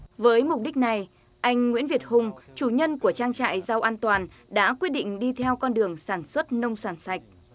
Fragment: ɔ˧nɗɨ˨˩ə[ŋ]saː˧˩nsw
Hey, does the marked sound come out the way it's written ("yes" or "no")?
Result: yes